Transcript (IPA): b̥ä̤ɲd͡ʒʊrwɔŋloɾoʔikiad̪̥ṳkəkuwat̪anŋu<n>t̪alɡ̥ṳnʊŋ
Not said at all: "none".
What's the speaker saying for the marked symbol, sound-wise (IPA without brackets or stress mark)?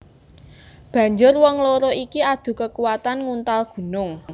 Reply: n